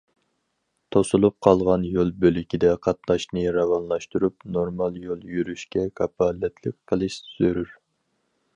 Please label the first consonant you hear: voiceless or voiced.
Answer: voiceless